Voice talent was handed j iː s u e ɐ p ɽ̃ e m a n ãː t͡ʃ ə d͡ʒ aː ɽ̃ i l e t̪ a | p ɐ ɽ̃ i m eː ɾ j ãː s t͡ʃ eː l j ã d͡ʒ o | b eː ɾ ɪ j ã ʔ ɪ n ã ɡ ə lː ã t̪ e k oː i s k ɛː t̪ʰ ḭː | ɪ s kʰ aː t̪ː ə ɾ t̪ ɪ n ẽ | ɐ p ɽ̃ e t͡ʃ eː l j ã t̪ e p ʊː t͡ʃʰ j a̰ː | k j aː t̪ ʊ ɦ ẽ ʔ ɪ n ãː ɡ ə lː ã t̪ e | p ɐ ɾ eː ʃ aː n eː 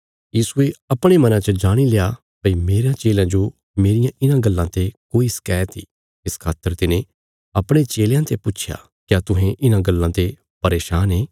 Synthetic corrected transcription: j iː s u e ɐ p ɽ̃ e m ɐ n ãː t͡ʃ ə d͡ʒ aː ɽ̃ i l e a | p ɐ i m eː ɾ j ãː t͡ʃ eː l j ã d͡ʒ o | m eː ɾ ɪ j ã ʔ ɪ n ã ɡ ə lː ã t̪ e k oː i s k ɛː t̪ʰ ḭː | ɪ s kʰ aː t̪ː ə ɾ t̪ ɪ n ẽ | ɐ p ɽ̃ e t͡ʃ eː l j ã t̪ e p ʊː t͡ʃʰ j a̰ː | k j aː t̪ ʊ ɦ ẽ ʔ ɪ n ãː ɡ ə lː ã t̪ e | p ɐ ɾ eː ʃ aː n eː

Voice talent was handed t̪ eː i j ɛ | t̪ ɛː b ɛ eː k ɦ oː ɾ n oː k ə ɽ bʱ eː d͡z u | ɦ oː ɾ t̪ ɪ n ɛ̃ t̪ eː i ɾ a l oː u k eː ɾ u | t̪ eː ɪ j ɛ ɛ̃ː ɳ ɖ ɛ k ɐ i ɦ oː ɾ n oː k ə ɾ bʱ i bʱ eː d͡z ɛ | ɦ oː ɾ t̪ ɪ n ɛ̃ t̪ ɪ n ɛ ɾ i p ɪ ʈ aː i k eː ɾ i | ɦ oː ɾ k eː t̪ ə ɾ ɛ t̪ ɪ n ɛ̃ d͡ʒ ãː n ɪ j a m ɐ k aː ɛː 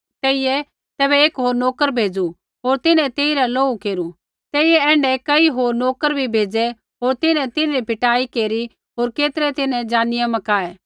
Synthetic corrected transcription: t̪ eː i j ɛ | t̪ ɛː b ɛ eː k ɦ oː ɾ n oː k ə ɾ bʱ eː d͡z u | ɦ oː ɾ t̪ ɪ n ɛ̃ t̪ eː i ɾ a l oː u k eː ɾ u | t̪ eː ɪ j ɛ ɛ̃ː ɳ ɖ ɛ k ɐ i ɦ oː ɾ n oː k ə ɾ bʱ i bʱ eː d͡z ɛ | ɦ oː ɾ t̪ ɪ n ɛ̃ t̪ ɪ n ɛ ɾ i p ɪ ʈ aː i k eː ɾ i | ɦ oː ɾ k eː t̪ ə ɾ ɛ t̪ ɪ n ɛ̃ d͡ʒ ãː n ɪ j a m ɐ k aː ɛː

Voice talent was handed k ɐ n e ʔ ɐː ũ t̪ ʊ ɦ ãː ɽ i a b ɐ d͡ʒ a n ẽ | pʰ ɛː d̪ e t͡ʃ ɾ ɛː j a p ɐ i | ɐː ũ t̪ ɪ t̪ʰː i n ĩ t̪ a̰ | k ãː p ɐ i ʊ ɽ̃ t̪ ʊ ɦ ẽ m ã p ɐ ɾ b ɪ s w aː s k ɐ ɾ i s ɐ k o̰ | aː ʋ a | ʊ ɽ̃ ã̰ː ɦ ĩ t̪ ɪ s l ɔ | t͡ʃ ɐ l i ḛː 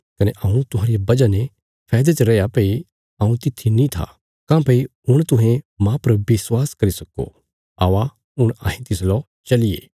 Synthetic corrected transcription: k ɐ n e ʔ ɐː ũ t̪ ʊ ɦ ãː ɾ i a b ɐ d͡ʒ a n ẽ | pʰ ɛː d̪ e t͡ʃ ɾ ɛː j a p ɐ i | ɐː ũ t̪ ɪ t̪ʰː i n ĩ t̪ʰ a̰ | k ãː p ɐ i ʊ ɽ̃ t̪ ʊ ɦ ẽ m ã p ɐ ɾ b ɪ s w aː s k ɐ ɾ i s ɐ k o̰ | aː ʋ a | ʊ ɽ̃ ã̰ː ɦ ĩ t̪ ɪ s l ɔ | t͡ʃ ɐ l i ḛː

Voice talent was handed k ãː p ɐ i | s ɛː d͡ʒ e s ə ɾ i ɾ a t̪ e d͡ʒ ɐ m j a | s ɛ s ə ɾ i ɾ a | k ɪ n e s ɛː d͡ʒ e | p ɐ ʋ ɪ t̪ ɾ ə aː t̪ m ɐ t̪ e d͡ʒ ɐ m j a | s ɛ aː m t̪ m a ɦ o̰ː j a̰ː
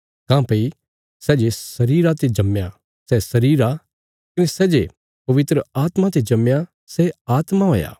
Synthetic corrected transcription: k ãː p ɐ i | s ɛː d͡ʒ e s ɐ ɾ iː ɾ a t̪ e d͡ʒ ɐ m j a | s ɛ s ɐ ɾ iː ɾ a | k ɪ n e s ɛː d͡ʒ e | p ɐ ʋ ɪ t̪ ɾ ə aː t̪ m a t̪ e d͡ʒ ɐ m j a | s ɛ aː t̪ m a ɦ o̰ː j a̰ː

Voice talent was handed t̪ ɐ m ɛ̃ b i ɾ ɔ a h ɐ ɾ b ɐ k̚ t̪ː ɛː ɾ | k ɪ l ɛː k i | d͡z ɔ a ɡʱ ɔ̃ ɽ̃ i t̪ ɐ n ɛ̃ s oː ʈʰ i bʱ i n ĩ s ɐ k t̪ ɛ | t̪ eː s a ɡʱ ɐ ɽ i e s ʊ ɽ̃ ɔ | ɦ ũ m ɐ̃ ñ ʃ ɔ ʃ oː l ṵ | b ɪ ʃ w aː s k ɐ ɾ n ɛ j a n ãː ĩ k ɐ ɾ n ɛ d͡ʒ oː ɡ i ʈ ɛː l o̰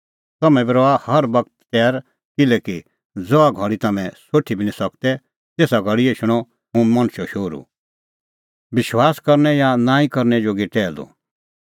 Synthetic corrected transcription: t̪ ɐ m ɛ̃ b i ɾ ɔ a h ɐ ɾ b ɐ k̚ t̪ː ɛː ɾ | k ɪ l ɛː k i | d͡z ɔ a ɡʱ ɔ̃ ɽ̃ i t̪ ɐ m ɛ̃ s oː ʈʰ i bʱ i n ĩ s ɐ k t̪ ɛ | t̪ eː s a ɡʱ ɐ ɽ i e ʃ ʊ ɽ̃ ɔ | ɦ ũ m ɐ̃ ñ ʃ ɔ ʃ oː ɾ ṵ | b ɪ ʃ w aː s k ɐ ɾ n ɛ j a n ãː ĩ k ɐ ɾ n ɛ d͡ʒ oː ɡ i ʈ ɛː l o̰

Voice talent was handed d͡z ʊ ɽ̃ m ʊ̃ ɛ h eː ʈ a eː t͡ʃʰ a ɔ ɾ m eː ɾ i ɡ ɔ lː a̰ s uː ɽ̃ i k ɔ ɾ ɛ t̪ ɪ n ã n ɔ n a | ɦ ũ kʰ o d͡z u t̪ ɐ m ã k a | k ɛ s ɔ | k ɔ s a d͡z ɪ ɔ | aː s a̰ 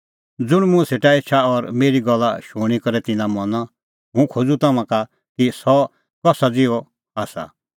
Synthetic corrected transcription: d͡z ʊ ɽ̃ m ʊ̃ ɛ s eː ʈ a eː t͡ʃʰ a ɔ ɾ m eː ɾ i ɡ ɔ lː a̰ ʃ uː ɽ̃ i k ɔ ɾ ɛ t̪ ɪ n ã m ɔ n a | ɦ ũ kʰ o d͡z u t̪ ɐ m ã k a | k i s ɔ | k ɔ s a d͡z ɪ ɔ | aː s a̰

